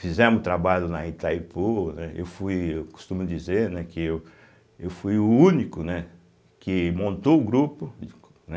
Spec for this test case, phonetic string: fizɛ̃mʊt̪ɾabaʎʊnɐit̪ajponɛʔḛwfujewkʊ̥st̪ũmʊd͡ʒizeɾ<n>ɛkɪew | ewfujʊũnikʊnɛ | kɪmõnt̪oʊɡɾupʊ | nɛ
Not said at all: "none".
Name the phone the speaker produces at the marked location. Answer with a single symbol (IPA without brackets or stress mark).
n